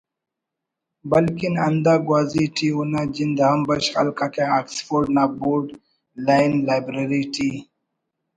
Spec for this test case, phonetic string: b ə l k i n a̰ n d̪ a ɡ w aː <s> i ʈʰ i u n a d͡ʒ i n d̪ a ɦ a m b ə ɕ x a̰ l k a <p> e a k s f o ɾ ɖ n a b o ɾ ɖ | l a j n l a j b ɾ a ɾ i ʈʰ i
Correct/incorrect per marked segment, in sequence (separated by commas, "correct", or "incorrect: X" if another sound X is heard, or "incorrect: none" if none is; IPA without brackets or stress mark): incorrect: z, incorrect: k